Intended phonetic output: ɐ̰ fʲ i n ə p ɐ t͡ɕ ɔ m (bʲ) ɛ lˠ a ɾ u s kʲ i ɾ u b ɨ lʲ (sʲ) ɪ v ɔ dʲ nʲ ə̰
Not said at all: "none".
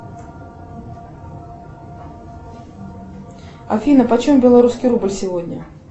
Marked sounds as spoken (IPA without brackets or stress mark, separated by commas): bʲ, sʲ